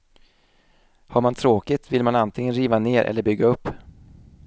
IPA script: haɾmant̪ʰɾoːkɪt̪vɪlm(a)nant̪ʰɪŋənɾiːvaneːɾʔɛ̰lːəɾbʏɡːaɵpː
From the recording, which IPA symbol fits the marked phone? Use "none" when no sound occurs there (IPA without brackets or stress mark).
a